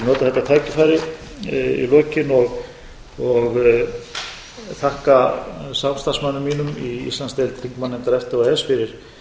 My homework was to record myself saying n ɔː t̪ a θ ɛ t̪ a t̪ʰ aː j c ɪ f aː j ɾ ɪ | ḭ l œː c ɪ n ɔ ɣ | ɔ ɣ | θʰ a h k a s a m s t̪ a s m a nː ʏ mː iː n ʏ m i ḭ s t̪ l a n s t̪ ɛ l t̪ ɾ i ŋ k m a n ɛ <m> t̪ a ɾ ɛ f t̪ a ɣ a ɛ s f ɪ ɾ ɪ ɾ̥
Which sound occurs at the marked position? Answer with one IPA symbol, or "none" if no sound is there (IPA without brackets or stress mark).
n